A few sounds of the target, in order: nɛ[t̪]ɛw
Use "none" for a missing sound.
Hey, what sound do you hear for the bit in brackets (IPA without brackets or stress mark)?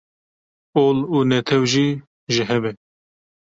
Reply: t̪ʰ